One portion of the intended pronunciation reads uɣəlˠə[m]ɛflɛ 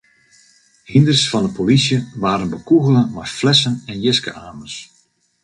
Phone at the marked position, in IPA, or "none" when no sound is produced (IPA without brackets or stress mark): m